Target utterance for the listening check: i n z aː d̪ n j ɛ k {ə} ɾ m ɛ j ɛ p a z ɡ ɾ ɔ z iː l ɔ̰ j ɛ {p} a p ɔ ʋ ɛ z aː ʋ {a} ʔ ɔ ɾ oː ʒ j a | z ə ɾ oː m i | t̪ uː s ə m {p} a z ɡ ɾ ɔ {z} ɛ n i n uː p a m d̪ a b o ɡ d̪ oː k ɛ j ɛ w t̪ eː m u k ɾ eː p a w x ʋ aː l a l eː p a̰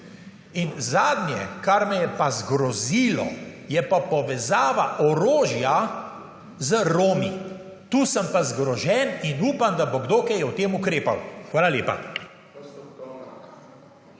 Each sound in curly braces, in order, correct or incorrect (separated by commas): incorrect, correct, correct, correct, incorrect